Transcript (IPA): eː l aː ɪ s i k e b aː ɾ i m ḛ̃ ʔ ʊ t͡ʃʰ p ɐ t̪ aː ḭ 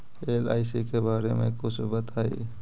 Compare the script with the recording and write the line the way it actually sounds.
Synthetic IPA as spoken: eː l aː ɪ s i k e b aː ɾ e m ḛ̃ k ʊ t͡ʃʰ b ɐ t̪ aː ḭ

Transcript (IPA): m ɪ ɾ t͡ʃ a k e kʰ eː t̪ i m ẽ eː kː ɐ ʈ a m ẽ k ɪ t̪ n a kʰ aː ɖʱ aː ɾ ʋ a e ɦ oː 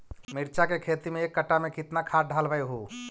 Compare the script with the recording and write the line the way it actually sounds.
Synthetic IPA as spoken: m ɪ ɾ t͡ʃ a k e kʰ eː t̪ i m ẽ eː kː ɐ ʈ a m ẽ k ɪ t̪ n a kʰ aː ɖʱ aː l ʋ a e ɦ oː

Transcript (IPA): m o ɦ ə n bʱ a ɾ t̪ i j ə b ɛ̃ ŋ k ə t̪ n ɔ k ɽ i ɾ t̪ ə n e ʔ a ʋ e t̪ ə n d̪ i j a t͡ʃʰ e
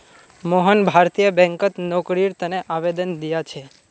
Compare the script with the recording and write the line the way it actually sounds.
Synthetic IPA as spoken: m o ɦ ə n bʱ a ɾ t̪ i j ə b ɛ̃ ŋ k ə t̪ n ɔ k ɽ i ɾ t̪ ə n e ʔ a ʋ e d̪ ə n d̪ i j a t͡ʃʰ e

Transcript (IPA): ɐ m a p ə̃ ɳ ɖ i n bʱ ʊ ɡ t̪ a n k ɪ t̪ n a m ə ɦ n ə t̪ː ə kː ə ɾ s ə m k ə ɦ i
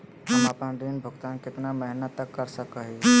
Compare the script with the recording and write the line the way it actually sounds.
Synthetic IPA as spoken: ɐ m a p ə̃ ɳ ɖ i n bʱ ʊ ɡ t̪ a n k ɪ t̪ n a m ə ɦ n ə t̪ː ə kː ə ɾ s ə k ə ɦ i

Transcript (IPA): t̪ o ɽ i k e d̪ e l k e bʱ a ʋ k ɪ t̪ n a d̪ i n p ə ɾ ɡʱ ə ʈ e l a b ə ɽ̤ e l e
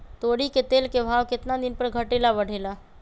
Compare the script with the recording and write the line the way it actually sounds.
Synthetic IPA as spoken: t̪ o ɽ i k e t̪ e l k e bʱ a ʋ k ɪ t̪ n a d̪ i n p ə ɾ ɡʱ ə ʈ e l a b ə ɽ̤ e l a

